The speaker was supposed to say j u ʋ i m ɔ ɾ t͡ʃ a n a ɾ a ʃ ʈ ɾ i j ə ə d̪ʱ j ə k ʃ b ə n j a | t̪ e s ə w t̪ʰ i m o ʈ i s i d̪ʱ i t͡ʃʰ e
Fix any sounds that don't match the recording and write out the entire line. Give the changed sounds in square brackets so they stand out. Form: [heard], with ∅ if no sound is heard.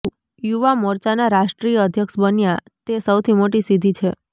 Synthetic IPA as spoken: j u ʋ [a] m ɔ ɾ t͡ʃ a n a ɾ a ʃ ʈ ɾ i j ə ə d̪ʱ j ə k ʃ b ə n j a | t̪ e s ə w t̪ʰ i m o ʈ i s i d̪ʱ i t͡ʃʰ e